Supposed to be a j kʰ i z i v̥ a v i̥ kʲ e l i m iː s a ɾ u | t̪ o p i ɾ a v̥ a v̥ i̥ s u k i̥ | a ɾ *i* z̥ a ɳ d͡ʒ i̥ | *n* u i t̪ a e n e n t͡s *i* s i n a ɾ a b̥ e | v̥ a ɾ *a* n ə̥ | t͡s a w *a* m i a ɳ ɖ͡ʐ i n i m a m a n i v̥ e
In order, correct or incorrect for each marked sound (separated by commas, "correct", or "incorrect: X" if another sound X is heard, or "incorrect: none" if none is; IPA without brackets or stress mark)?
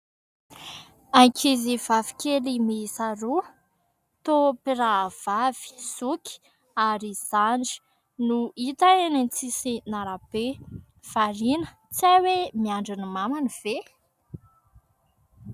correct, correct, correct, incorrect: i, incorrect: e